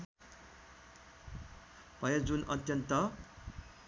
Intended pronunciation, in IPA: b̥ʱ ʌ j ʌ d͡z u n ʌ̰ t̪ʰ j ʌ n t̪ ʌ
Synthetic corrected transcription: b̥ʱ ʌ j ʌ d͡z u n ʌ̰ t̪ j ʌ n t̪ ʌ